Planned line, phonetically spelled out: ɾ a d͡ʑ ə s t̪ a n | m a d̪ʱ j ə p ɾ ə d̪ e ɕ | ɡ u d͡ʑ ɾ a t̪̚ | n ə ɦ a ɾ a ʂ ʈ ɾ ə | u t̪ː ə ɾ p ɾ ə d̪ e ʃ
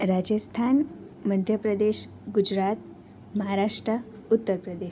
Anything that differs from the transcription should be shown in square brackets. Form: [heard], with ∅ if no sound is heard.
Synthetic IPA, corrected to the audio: ɾ a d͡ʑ ə s [t̪ʰ] a n | m [ə] d̪ʱ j ə p ɾ ə d̪ e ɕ | ɡ u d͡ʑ ɾ a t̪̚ | [m] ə ɦ a ɾ a ʂ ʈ ɾ ə | u t̪ː ə ɾ p ɾ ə d̪ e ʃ